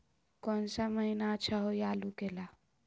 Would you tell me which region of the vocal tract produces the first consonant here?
velum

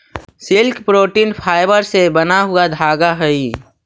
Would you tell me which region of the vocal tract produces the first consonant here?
tongue tip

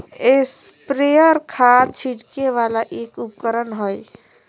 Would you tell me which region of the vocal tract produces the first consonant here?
tongue tip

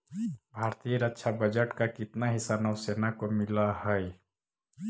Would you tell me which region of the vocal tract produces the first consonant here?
lips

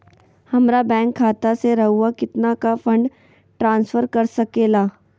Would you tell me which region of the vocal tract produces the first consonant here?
throat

